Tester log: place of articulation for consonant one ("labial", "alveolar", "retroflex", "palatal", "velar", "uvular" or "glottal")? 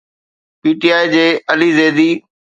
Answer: labial